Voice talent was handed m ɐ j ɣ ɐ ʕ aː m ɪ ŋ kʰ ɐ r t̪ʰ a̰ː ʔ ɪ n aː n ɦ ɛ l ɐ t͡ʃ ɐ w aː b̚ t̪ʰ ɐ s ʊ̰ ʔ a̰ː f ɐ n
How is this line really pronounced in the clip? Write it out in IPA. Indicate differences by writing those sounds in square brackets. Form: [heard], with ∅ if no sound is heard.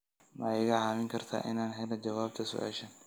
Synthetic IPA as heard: m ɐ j ɣ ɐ ʕ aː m ɪ ŋ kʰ ɐ r t̪ʰ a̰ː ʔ ɪ n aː n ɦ ɛ l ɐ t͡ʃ ɐ w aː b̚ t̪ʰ ɐ s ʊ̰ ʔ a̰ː [ʃ] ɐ n